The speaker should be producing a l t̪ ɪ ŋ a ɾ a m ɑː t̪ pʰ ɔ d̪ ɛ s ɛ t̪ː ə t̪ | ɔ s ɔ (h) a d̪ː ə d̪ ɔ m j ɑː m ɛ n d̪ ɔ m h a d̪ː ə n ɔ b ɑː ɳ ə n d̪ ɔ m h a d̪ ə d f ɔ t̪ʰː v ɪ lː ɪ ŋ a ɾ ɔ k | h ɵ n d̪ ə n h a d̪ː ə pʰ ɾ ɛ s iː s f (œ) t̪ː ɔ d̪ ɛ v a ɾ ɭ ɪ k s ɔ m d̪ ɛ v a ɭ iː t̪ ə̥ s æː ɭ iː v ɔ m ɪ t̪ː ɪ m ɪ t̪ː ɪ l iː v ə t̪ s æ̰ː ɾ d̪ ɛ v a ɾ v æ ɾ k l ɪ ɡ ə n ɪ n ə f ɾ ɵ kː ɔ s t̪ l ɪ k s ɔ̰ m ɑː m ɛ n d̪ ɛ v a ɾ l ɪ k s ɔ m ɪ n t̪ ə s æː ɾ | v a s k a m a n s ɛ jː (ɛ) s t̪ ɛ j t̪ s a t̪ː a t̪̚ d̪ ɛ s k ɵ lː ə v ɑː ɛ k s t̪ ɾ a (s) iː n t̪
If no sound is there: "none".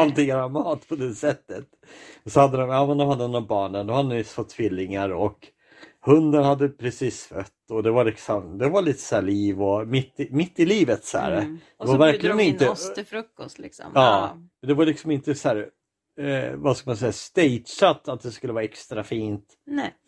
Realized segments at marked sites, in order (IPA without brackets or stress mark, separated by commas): h, œ, a, f